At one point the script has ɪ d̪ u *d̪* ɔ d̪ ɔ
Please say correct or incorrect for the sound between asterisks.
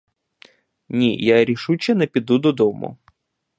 correct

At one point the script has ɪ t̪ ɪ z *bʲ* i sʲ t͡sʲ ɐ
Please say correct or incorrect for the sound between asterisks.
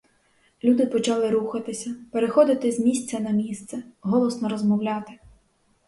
incorrect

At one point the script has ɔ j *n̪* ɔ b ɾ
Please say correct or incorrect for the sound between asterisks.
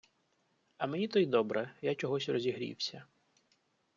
incorrect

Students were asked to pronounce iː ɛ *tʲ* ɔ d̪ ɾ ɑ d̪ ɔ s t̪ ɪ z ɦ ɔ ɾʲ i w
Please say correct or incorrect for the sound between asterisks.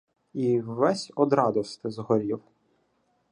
incorrect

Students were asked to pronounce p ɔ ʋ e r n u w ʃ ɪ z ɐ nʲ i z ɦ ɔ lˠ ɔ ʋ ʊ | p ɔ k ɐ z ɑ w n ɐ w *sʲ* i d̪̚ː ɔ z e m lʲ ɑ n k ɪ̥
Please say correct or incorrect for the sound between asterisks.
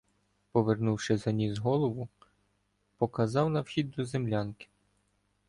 incorrect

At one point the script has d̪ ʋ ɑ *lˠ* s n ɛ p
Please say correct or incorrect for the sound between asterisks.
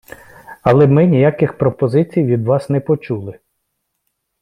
incorrect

